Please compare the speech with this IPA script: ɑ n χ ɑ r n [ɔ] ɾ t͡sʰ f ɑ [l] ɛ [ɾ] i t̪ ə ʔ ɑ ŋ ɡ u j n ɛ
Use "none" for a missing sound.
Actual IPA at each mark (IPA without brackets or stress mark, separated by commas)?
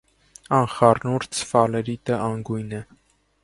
u, l, ɾ